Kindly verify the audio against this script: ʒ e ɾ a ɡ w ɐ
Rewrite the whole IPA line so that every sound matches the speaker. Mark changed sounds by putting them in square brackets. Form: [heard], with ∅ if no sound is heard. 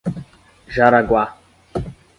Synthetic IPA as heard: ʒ [a] ɾ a ɡ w [a]

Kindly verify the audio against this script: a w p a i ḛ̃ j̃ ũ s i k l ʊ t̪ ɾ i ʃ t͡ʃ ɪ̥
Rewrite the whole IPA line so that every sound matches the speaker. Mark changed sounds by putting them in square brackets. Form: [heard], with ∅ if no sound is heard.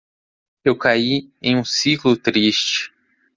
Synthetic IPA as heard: [e] w [k] a i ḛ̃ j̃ ũ s i k l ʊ t̪ ɾ i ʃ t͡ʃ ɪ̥

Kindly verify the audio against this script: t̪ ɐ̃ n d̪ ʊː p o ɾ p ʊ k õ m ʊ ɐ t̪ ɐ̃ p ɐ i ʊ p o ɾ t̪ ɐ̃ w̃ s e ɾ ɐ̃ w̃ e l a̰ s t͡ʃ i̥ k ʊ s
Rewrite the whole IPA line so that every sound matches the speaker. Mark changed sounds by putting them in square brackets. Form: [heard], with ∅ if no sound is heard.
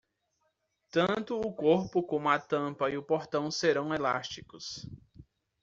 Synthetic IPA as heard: t̪ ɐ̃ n [t̪] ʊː [k] o ɾ p ʊ k õ m ʊ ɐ t̪ ɐ̃ p ɐ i ʊ p o ɾ t̪ ɐ̃ w̃ s e ɾ ɐ̃ w̃ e l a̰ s t͡ʃ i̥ k ʊ s

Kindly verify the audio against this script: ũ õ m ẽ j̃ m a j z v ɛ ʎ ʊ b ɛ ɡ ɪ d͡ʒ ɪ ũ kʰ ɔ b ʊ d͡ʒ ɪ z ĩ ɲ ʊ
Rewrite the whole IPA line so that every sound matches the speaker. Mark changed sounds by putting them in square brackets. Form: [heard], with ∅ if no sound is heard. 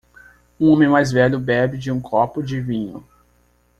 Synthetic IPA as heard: ũ õ m ẽ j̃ m a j z v ɛ ʎ ʊ b ɛ [b] ɪ d͡ʒ ɪ ũ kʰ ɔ [p] ʊ d͡ʒ ɪ [v] ĩ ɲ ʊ

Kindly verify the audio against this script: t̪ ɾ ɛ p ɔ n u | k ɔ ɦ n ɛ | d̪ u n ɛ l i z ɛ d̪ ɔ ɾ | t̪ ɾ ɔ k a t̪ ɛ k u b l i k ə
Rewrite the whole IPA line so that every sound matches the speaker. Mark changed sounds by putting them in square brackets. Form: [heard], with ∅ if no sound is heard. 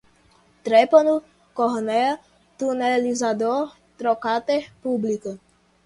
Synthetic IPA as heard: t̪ ɾ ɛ p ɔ n u | k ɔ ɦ n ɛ | [t̪] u n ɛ l i z [a] d̪ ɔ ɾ | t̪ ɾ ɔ k a t̪ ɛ [p] u b l i k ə

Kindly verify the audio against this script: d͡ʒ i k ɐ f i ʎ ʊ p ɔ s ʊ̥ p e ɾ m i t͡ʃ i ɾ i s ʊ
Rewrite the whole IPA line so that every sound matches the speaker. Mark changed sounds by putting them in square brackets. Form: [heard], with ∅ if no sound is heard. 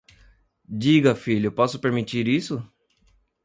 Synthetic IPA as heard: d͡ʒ i [ɡ] ɐ f i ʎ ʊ p ɔ s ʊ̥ p e ɾ m i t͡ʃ i ɾ i s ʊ

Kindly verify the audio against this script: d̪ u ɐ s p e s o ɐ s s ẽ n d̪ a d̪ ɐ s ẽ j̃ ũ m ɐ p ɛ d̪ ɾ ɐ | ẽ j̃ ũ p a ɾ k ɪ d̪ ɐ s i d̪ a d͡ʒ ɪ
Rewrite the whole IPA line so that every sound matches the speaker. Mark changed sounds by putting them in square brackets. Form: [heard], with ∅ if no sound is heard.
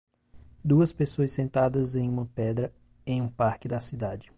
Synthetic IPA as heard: d̪ u ɐ s p e s o ɐ s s ẽ n [t̪] a d̪ ɐ [z] ẽ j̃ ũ m ɐ p ɛ d̪ ɾ ɐ | ẽ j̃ ũ p a ɾ k ɪ d̪ ɐ s i d̪ a d͡ʒ ɪ

